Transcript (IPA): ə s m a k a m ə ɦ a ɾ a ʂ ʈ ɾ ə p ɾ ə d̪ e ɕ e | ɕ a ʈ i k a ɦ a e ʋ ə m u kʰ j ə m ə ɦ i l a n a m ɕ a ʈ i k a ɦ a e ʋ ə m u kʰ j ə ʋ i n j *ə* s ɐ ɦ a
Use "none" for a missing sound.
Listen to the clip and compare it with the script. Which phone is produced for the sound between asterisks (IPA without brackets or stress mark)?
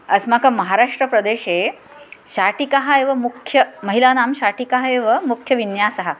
a